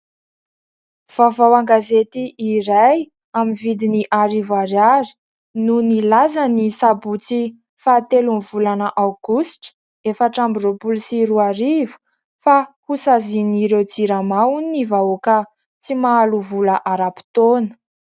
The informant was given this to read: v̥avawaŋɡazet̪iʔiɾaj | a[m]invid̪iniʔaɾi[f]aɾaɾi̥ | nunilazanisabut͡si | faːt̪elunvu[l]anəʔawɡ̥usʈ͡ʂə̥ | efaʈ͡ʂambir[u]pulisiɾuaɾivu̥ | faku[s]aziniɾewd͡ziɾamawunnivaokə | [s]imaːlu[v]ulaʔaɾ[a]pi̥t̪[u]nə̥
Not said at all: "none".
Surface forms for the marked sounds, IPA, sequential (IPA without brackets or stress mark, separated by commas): m, v, l, o, s, t͡s, v, a, o